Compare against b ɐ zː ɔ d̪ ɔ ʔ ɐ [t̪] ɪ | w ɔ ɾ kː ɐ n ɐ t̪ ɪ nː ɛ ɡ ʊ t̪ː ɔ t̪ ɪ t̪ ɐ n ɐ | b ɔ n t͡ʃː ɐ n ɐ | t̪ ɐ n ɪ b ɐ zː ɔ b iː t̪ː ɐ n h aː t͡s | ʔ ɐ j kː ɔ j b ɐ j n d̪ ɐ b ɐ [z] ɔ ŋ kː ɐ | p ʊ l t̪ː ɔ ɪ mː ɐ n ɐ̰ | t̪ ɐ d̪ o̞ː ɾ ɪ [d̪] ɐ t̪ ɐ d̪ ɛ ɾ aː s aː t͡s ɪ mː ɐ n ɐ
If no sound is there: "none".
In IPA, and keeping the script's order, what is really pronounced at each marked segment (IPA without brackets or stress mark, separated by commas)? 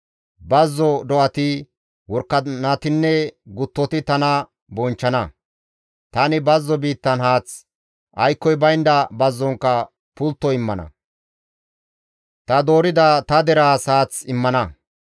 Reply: t̪, zː, d̪